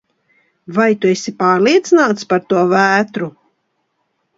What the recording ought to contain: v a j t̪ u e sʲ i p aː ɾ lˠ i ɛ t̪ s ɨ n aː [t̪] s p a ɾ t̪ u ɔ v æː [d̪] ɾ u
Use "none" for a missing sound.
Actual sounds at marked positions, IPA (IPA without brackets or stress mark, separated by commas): t̪, t̪